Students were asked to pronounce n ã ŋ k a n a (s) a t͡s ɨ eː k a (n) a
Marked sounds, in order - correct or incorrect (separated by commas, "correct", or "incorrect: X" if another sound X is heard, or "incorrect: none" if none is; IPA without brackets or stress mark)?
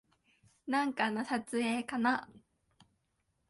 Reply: correct, correct